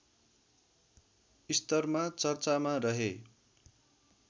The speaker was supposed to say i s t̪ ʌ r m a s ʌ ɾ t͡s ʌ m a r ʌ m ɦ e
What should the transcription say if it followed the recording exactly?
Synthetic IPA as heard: i s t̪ ʌ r m a t͡s ʌ r t͡s a m a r ʌ ɦ e